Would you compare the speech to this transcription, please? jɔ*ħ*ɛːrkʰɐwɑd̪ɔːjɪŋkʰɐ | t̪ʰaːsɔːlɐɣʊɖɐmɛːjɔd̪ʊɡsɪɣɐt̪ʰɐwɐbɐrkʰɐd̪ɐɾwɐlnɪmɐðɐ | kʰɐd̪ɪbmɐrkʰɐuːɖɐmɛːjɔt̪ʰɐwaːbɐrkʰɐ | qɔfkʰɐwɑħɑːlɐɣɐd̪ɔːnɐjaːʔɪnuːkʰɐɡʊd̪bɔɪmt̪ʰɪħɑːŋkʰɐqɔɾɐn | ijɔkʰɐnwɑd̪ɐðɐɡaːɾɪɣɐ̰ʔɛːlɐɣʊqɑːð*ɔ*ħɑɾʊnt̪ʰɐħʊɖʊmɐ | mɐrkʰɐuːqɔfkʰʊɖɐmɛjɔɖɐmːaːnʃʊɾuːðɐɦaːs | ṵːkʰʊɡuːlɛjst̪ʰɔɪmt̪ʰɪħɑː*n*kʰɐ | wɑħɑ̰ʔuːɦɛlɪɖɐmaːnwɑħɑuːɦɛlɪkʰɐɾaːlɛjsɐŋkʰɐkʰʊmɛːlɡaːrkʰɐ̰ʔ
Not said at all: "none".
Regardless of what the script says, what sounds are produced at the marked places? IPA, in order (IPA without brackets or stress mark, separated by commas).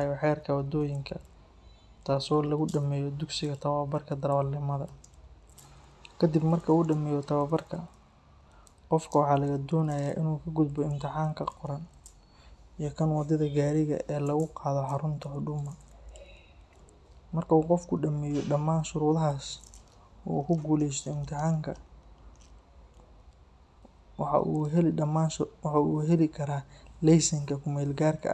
ħ, ɔ, ŋ